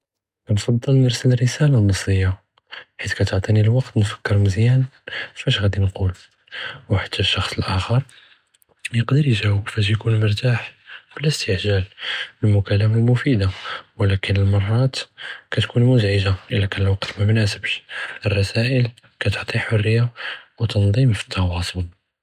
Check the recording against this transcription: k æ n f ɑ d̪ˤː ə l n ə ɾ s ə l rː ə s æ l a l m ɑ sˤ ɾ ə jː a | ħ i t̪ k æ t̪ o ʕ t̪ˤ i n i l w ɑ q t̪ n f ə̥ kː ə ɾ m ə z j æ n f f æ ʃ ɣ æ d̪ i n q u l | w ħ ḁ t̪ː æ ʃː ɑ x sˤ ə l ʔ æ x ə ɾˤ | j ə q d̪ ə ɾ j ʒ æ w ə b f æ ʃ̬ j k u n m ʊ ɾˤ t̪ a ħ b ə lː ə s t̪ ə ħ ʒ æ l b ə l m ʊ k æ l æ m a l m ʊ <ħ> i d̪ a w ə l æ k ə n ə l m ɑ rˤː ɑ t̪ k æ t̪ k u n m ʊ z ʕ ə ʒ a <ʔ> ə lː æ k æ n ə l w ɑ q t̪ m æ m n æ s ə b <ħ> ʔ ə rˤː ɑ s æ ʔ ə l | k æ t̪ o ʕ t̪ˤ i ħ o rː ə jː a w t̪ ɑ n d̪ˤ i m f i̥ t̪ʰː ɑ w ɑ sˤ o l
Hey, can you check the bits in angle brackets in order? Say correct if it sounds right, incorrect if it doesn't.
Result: incorrect, correct, incorrect

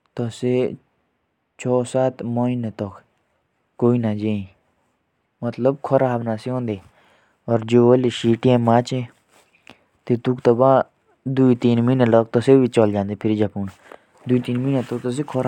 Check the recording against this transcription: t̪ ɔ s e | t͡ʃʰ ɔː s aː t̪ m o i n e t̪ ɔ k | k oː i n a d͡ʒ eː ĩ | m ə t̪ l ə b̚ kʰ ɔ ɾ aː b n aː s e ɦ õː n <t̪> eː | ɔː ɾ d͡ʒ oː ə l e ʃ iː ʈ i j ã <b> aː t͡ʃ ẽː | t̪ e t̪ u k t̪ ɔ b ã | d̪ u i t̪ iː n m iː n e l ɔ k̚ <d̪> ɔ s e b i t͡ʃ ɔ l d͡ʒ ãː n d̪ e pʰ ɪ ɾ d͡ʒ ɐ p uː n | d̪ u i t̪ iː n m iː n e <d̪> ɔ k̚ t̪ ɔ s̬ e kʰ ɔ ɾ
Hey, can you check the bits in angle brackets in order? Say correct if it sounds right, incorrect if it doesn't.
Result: incorrect, incorrect, incorrect, incorrect

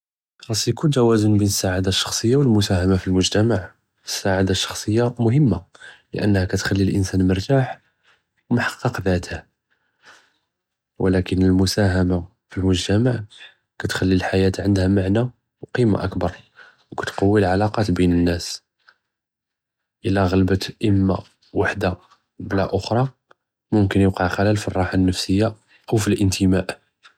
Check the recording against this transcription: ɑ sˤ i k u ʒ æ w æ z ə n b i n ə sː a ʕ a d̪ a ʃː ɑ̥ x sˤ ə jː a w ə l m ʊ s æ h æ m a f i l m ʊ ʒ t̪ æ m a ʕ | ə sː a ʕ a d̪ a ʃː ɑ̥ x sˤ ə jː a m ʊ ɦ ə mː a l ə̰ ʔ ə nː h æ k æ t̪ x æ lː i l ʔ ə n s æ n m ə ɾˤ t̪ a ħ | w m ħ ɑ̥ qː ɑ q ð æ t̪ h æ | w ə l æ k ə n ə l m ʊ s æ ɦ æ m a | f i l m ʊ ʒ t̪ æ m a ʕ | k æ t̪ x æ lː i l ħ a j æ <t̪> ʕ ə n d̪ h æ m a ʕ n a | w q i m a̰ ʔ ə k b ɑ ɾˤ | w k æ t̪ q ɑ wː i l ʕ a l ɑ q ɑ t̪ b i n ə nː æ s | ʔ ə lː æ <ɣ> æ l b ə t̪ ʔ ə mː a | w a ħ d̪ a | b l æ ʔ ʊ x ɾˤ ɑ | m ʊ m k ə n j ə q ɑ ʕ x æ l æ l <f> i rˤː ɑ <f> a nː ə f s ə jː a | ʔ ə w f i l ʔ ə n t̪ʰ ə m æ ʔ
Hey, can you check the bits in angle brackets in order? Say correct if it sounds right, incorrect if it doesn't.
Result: correct, correct, correct, incorrect

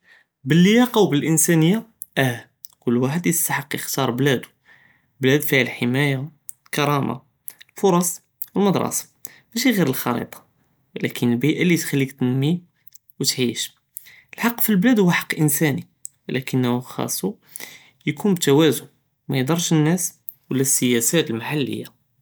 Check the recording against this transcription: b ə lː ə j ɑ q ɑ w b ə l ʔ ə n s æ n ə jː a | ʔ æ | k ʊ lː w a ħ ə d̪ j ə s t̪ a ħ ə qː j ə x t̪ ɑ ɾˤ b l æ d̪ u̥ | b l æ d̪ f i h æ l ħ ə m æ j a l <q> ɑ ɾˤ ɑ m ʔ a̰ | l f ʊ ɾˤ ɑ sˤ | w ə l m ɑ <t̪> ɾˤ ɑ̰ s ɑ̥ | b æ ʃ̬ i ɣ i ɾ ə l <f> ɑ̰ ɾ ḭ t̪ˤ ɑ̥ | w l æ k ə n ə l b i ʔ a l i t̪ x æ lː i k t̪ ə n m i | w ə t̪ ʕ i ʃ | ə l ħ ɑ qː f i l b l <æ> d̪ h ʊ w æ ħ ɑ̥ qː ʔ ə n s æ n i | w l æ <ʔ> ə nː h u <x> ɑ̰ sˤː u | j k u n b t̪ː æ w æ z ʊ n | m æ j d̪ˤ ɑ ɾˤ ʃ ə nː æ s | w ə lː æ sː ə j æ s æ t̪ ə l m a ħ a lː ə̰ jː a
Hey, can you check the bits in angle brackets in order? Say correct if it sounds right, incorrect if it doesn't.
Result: incorrect, incorrect, incorrect, correct, incorrect, correct

